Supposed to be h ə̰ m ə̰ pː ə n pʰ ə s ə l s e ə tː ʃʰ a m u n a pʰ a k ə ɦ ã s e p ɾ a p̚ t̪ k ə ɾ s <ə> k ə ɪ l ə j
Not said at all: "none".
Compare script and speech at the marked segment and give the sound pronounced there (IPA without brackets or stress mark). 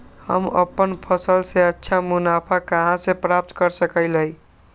ə